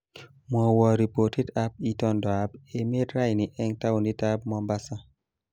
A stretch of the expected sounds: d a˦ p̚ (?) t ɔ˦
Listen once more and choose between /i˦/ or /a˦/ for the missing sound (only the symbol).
i˦